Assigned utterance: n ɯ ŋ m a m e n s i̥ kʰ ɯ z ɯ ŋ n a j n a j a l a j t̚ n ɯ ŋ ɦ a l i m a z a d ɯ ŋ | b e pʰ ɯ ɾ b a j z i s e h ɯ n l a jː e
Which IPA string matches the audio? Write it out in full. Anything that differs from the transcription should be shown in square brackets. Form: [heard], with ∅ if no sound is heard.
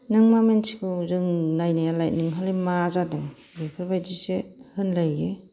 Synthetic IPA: n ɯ ŋ m a m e n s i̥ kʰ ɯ z ɯ ŋ n a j n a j a l a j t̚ n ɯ ŋ ɦ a l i m a z a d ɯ ŋ | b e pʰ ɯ ɾ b a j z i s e h ɯ n l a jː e